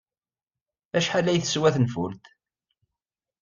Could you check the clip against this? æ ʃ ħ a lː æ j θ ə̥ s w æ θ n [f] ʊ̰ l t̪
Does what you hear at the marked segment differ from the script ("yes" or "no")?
no